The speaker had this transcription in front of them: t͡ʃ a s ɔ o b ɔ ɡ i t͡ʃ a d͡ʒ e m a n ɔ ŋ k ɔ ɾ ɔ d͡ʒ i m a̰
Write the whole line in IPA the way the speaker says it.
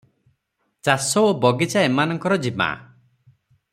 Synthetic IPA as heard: t͡ʃ a s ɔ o b ɔ ɡ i t͡ʃ a e m a n ɔ ŋ k ɔ ɾ ɔ d͡ʒ i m a̰